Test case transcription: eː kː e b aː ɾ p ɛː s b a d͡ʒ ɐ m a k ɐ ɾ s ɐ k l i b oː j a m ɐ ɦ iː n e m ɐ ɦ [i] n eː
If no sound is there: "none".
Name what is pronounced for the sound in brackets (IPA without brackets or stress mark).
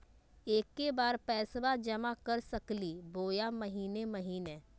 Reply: iː